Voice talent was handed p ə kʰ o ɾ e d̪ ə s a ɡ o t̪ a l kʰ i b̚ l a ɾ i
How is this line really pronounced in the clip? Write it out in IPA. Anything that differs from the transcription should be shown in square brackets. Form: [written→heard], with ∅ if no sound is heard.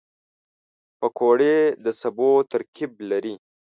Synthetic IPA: p ə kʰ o [ɾ→ɽ] e d̪ ə s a [ɡ→b] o t̪ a [l→ɾ] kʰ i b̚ l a ɾ i